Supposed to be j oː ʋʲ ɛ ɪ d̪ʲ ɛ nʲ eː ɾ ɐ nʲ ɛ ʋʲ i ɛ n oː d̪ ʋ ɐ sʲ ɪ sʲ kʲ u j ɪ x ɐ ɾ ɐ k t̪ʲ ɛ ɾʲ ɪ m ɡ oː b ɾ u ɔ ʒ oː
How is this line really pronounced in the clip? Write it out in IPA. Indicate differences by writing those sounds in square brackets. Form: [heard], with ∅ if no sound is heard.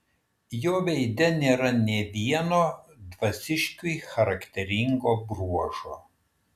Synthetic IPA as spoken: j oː ʋʲ ɛ ɪ d̪ʲ ɛ nʲ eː ɾ ɐ nʲ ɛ ʋʲ i ɛ n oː d̪ ʋ ɐ sʲ ɪ [ʃʲ] kʲ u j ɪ x ɐ ɾ ɐ k t̪ʲ ɛ ɾʲ ɪ [ŋ] ɡ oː b ɾ u ɔ ʒ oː